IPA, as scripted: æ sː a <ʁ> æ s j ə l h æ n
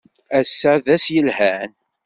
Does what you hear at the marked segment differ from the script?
yes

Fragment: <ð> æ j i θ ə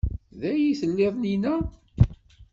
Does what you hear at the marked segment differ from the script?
no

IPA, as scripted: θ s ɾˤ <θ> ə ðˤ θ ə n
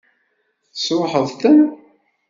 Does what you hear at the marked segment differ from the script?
yes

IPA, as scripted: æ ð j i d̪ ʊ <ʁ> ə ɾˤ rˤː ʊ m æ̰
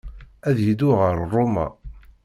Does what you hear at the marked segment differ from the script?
no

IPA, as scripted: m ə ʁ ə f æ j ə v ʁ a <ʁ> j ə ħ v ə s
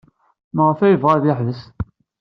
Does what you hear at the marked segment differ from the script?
yes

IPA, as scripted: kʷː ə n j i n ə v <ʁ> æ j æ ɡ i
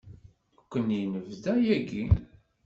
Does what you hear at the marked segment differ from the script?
yes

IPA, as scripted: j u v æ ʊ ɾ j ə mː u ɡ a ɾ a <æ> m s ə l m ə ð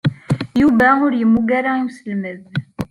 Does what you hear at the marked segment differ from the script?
yes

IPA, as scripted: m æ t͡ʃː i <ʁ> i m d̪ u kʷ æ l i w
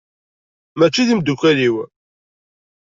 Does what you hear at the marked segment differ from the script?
yes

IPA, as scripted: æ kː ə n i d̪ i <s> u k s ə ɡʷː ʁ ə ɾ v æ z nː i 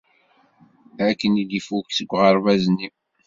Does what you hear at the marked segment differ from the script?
yes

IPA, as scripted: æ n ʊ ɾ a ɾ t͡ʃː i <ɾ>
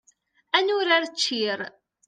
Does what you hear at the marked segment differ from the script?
no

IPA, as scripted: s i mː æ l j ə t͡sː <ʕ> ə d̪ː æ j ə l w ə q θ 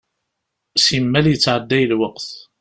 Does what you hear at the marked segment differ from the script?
no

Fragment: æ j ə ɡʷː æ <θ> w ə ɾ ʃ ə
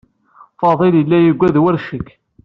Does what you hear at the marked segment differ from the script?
yes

